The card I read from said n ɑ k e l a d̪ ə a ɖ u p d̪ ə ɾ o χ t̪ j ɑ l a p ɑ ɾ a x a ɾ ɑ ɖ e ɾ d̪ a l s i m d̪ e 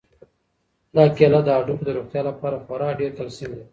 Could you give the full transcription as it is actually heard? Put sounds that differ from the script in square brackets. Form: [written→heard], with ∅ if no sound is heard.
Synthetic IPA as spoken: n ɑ k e l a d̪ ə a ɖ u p d̪ ə ɾ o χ t̪ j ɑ l a p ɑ ɾ a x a ɾ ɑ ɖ e ɾ [d̪→t̪] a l s i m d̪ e